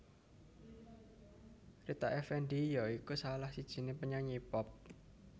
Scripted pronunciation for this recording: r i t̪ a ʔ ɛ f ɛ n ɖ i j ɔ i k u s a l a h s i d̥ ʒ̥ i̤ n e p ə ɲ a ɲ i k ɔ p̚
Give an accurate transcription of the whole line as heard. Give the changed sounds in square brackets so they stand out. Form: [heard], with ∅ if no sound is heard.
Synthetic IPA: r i t̪ a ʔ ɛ f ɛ n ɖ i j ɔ i k u s a l a h s i d̥ ʒ̥ i̤ n e p ə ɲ a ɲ i [p] ɔ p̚